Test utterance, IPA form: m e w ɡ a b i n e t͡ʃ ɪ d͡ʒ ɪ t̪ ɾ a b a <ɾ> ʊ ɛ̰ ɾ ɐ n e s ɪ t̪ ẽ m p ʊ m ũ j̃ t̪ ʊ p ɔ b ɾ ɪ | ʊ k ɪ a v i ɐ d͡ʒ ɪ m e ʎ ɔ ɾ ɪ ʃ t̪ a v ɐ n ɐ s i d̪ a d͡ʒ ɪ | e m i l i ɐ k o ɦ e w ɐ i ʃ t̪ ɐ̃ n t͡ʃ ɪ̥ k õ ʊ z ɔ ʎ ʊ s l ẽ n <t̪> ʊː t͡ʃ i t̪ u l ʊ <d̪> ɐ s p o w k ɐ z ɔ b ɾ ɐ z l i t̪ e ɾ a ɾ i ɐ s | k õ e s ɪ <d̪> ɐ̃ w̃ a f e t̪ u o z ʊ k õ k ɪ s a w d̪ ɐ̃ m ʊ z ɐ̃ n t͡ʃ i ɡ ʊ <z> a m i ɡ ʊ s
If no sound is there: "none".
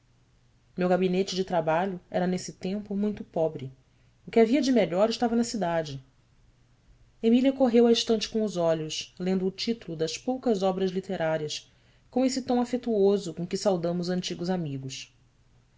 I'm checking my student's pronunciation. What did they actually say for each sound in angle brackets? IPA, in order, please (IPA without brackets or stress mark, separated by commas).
ʎ, d̪, d̪, t̪, z